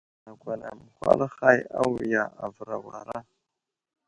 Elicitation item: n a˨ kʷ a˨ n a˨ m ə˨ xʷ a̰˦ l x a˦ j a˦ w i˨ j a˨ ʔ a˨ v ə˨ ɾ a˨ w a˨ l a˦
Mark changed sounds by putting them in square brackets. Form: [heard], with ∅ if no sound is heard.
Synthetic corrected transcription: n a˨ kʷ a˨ n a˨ m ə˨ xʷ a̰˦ l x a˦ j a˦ w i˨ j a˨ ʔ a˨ v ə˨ ɾ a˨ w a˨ [ɾ] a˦